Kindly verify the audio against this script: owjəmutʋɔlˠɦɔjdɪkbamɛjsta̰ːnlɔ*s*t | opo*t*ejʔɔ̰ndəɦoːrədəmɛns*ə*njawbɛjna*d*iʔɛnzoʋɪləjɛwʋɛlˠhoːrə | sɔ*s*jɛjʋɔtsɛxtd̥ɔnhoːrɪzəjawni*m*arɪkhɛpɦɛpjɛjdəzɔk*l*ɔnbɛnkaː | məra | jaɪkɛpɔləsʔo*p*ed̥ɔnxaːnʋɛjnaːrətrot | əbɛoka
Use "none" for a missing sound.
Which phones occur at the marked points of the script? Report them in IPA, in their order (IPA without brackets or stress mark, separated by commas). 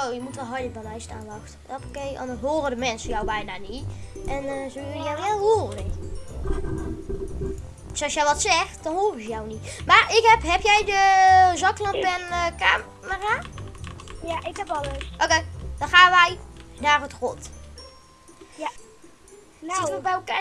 x, k, ə, n, s, m, l, k